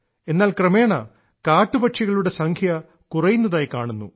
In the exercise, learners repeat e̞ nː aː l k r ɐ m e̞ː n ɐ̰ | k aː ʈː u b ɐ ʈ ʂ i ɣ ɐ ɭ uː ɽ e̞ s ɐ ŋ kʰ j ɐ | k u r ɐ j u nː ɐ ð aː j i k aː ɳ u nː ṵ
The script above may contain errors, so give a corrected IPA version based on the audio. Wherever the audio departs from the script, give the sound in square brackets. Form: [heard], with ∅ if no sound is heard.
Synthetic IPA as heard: e̞ nː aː l k r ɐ m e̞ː [ɳ] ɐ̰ | k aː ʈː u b ɐ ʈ ʂ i ɣ ɐ ɭ [u] ɽ e̞ s ɐ ŋ kʰ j ɐ | k u r ɐ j u nː ɐ ð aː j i k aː ɳ u nː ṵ